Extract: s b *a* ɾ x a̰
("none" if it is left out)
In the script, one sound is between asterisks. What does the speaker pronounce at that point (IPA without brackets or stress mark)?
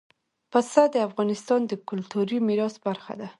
a